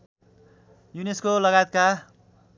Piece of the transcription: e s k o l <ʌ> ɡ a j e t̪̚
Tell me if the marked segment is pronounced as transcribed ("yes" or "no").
yes